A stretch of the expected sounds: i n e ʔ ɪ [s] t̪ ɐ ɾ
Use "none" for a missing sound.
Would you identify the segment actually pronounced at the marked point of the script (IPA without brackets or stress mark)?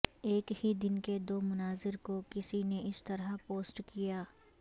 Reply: s